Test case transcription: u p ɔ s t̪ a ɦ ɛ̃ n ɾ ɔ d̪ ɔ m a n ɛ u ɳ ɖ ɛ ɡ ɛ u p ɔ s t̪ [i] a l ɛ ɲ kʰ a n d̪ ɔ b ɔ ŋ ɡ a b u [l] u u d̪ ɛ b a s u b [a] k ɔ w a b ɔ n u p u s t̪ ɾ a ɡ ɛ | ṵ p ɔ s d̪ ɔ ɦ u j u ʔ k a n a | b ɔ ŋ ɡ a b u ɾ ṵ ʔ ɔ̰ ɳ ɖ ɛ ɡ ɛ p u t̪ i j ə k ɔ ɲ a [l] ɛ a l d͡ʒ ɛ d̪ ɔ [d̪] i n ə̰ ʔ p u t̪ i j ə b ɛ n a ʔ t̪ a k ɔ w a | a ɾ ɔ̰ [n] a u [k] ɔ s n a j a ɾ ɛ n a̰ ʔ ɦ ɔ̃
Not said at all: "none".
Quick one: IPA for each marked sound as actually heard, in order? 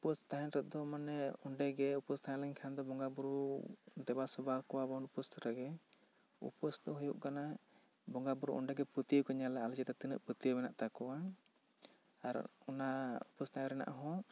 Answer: a, ɾ, a, l, t̪, n, p

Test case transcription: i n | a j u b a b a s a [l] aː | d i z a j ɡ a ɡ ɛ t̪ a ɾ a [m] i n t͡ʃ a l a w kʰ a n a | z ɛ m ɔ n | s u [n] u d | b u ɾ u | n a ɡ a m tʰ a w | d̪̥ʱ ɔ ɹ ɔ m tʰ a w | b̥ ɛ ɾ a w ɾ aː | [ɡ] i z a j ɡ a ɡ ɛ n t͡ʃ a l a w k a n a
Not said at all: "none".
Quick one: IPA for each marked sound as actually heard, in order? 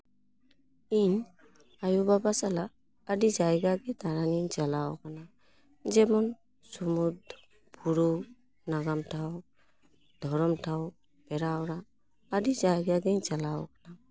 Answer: l, n, m, d

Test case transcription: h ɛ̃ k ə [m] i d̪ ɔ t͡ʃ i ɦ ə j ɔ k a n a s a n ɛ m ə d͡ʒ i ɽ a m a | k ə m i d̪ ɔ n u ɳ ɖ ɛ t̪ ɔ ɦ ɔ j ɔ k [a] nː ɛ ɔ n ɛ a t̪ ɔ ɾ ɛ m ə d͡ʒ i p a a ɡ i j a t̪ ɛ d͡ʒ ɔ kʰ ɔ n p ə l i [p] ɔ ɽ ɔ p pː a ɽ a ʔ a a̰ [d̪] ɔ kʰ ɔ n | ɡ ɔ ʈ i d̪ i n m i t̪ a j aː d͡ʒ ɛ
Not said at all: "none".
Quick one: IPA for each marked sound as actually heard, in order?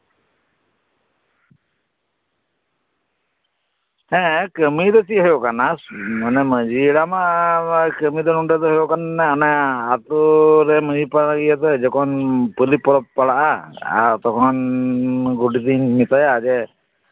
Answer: m, a, p, t̪

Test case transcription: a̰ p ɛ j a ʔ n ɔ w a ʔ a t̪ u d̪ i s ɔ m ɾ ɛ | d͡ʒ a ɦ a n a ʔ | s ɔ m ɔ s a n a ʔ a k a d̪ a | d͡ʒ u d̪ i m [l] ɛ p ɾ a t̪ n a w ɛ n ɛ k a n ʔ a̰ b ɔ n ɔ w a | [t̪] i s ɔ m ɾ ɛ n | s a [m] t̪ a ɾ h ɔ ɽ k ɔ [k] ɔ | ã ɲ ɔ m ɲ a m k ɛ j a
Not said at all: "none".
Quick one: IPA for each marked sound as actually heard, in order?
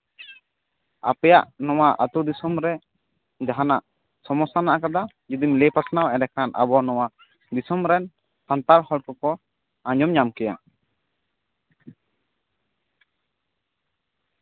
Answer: l, d̪, n, k

